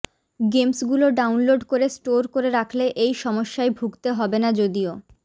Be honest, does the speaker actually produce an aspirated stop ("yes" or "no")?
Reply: yes